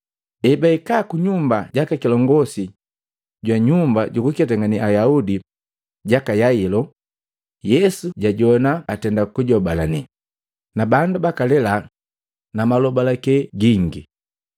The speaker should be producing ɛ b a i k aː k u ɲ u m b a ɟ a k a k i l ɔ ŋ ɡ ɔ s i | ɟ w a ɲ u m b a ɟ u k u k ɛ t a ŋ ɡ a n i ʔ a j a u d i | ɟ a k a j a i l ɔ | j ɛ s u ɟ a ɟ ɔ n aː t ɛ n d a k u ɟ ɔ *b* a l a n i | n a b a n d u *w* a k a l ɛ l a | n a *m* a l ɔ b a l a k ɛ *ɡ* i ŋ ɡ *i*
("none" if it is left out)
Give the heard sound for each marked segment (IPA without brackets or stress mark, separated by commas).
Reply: b, b, m, ɡ, i